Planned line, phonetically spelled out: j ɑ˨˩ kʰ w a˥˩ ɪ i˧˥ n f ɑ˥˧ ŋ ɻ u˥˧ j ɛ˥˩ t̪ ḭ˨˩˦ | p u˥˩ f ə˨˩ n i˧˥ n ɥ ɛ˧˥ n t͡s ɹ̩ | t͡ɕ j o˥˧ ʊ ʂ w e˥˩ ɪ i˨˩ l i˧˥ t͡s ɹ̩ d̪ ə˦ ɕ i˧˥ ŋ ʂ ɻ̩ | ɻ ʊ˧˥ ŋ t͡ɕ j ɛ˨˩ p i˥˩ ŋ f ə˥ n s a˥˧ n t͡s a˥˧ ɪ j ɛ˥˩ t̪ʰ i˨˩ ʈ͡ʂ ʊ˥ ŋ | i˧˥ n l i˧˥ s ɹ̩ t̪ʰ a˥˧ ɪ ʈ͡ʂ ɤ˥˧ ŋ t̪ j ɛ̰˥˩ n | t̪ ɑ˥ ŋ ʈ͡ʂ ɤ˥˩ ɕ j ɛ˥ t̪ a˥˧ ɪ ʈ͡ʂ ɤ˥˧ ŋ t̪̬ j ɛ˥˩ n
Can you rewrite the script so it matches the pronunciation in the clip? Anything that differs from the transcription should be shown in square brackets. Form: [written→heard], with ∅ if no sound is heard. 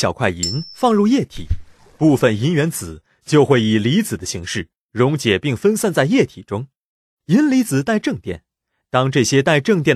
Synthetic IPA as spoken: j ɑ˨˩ kʰ w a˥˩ ɪ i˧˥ n f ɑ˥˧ ŋ ɻ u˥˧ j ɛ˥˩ [t̪→t̪ʰ] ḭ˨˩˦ | p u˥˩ f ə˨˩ n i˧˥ n ɥ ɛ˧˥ n t͡s ɹ̩ | t͡ɕ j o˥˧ ʊ [ʂ→x] w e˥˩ ɪ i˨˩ l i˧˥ t͡s ɹ̩ d̪ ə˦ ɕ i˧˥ ŋ ʂ ɻ̩ | ɻ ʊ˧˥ ŋ t͡ɕ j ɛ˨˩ p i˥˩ ŋ f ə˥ n s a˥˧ n t͡s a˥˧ ɪ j ɛ˥˩ t̪ʰ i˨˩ ʈ͡ʂ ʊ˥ ŋ | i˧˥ n l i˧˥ [s→t͡s] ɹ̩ [t̪ʰ→t̪] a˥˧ ɪ ʈ͡ʂ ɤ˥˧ ŋ t̪ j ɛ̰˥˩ n | t̪ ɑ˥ ŋ ʈ͡ʂ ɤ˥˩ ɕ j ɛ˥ t̪ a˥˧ ɪ ʈ͡ʂ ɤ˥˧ ŋ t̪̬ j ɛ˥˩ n